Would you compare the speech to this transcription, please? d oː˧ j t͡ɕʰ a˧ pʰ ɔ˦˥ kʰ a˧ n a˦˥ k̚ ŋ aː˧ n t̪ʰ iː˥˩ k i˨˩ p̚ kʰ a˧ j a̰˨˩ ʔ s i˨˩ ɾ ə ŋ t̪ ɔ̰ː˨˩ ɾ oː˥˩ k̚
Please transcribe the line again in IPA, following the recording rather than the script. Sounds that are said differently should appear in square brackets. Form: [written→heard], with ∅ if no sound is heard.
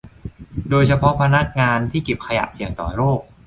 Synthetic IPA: d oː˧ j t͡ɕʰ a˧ pʰ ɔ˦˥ [kʰ→pʰ] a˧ n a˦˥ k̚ ŋ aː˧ n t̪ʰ iː˥˩ k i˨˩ p̚ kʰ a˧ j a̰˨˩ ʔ s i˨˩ [ɾ→∅] ə ŋ t̪ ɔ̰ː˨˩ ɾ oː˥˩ k̚